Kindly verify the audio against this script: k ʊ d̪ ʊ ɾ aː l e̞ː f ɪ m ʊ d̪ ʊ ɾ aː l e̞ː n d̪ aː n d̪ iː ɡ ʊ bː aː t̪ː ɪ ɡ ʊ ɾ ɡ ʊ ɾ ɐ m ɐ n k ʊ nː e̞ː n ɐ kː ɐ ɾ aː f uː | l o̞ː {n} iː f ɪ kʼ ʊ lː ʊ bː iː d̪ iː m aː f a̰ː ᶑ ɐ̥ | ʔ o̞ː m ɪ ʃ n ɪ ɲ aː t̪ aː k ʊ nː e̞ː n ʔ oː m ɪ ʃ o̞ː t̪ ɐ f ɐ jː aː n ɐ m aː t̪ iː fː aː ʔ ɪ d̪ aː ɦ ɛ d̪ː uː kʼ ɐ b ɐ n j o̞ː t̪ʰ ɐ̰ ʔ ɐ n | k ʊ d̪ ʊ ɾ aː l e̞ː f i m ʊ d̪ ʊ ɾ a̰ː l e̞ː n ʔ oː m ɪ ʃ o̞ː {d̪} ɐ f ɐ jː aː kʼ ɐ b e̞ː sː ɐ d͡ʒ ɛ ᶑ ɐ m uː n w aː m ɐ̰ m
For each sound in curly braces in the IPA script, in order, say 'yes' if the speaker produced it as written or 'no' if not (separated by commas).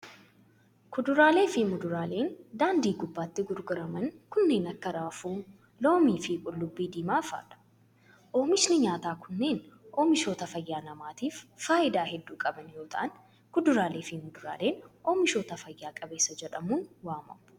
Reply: no, no